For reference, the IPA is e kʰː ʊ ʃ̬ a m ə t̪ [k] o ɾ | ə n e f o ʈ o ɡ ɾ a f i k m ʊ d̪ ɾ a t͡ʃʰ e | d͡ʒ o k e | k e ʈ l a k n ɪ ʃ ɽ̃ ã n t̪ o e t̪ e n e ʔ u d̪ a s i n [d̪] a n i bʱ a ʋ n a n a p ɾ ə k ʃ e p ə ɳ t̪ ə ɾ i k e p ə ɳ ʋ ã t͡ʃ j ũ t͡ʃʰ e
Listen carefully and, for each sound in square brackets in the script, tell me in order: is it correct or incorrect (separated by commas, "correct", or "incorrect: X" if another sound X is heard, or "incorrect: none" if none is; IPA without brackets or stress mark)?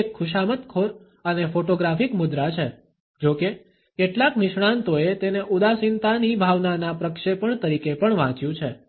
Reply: incorrect: kʰ, incorrect: t̪